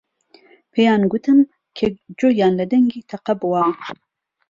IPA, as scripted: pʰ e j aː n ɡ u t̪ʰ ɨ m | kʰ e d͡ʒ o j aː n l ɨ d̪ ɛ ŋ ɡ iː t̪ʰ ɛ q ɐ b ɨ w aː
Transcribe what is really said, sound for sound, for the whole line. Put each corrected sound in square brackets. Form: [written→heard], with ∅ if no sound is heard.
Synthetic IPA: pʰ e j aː n ɡ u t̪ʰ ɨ m | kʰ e d͡ʒ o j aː n l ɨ d̪ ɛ ŋ ɡ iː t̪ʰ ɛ q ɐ b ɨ w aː